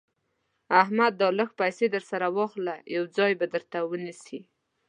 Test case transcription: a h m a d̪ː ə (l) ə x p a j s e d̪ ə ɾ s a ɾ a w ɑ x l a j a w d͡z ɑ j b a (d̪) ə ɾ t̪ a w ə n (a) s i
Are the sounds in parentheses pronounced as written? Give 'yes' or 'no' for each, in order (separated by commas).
yes, yes, no